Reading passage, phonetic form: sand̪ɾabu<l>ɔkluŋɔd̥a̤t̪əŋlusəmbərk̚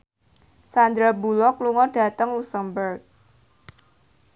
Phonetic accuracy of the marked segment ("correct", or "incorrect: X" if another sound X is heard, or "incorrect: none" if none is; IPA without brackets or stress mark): correct